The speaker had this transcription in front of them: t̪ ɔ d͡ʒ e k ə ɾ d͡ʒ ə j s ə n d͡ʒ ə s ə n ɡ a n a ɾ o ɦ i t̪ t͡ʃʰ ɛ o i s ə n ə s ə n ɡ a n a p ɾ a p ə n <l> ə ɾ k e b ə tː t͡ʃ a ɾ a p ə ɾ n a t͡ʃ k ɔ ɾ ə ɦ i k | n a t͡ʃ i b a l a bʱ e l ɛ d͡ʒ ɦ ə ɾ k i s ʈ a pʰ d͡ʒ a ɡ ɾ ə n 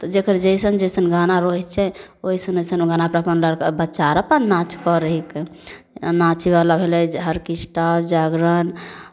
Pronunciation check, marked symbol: correct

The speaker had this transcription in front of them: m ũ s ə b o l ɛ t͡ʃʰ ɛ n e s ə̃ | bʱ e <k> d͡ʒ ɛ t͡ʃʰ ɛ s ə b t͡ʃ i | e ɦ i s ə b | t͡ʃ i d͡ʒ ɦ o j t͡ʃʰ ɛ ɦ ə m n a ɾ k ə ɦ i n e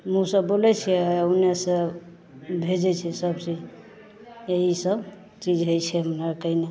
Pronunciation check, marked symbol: incorrect: none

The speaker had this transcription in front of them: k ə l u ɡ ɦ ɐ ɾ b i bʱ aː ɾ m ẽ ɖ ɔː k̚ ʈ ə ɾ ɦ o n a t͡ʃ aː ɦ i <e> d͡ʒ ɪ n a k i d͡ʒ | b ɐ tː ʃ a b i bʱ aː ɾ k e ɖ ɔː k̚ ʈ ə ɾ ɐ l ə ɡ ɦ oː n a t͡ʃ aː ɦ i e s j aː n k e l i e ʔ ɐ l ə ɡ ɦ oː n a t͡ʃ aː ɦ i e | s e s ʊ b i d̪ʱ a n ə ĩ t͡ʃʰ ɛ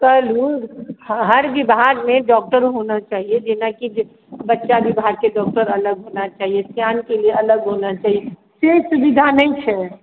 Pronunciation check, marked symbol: correct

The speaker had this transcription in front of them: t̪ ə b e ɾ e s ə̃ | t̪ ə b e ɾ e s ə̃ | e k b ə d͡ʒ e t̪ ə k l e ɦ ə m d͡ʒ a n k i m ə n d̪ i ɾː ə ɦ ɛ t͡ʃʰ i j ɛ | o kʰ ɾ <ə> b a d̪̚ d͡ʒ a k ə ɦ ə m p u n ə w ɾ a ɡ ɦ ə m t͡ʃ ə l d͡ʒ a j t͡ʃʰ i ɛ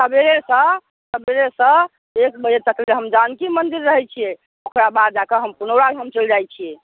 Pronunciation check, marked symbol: incorrect: a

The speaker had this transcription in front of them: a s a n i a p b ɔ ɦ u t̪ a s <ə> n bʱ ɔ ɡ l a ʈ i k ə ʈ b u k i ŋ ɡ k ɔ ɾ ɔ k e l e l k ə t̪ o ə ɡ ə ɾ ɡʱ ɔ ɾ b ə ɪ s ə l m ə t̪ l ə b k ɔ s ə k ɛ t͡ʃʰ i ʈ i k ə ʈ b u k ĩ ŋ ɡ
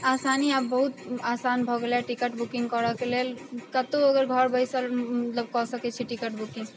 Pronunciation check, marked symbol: incorrect: a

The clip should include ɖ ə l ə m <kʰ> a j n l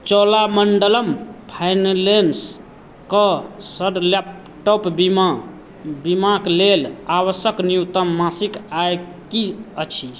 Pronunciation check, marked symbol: incorrect: pʰ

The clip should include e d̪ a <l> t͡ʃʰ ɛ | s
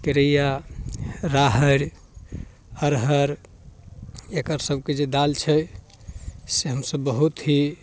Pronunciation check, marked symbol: correct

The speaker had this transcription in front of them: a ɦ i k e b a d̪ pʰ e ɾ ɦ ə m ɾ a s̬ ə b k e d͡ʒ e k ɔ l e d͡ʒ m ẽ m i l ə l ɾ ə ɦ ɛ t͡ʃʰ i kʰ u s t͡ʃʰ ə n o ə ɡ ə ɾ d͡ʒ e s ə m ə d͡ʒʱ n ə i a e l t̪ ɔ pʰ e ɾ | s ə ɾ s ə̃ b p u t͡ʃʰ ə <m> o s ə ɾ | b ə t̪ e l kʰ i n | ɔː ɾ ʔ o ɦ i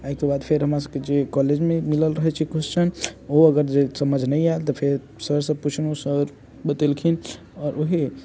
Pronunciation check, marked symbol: incorrect: n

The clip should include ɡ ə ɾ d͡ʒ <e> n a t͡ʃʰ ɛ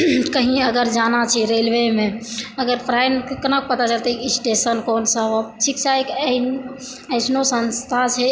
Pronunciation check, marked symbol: incorrect: a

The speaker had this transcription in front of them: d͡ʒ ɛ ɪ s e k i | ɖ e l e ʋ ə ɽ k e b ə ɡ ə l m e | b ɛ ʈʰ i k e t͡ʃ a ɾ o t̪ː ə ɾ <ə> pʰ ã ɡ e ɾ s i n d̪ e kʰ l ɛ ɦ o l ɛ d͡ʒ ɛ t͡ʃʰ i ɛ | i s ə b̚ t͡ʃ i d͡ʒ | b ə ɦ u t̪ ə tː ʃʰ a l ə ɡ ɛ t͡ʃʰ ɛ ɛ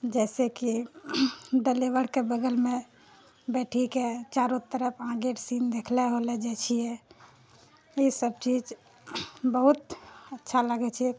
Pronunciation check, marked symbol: correct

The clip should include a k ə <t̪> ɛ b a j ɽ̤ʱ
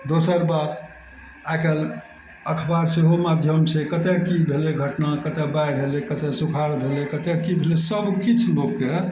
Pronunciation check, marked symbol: correct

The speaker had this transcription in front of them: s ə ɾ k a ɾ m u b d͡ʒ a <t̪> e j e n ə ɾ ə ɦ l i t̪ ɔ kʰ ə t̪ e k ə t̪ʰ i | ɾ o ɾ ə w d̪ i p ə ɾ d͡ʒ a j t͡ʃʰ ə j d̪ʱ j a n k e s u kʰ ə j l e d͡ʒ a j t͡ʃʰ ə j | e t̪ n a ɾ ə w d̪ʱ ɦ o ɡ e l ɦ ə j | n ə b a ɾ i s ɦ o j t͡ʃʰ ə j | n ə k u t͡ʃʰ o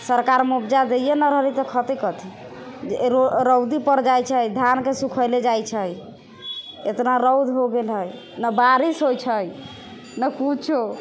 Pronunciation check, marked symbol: incorrect: d̪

